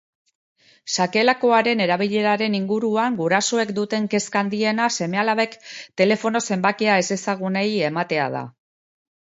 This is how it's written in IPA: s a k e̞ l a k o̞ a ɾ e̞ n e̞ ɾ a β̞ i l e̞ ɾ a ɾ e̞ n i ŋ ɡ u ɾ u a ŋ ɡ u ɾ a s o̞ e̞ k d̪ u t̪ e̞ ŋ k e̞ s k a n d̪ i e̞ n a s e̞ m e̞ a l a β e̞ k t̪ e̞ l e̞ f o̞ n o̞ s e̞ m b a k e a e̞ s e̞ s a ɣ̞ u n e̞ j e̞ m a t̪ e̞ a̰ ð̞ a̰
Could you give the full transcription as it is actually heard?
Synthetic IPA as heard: s a k e̞ l a k o̞ a ɾ e̞ n e̞ ɾ a β̞ i ʎ e̞ ɾ a ɾ e̞ n i ŋ ɡ u ɾ u a ŋ ɡ u ɾ a s o̞ e̞ k d̪ u t̪ e̞ ŋ k e̞ s k a n d̪ i e̞ n a s e̞ m e̞ a l a β e̞ k t̪ e̞ l e̞ f o̞ n o̞ s e̞ m b a k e a e̞ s e̞ s a ɣ̞ u n e̞ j e̞ m a t̪ e̞ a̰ ð̞ a̰